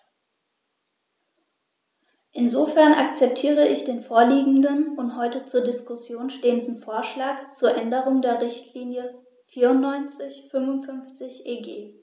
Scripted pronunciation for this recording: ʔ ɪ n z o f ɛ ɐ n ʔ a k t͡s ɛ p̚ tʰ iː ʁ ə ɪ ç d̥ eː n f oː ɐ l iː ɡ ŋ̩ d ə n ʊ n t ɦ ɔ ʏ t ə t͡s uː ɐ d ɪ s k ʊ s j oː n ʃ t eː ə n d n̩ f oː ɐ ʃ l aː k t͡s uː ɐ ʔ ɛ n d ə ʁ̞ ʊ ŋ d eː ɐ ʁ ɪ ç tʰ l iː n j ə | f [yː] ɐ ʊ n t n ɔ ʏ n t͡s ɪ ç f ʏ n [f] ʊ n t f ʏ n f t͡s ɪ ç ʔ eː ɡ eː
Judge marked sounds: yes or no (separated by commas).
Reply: no, no